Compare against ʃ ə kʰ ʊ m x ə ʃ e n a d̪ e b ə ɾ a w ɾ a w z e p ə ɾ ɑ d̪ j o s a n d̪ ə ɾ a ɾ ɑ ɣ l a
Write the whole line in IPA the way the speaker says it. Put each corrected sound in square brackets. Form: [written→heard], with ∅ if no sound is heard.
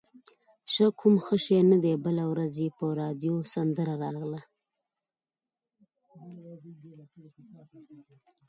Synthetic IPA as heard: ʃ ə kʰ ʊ m x ə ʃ e n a d̪ e b ə [ɾ→l] a w ɾ a [w→∅] z e p ə ɾ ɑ d̪ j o s a n d̪ ə ɾ a ɾ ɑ ɣ l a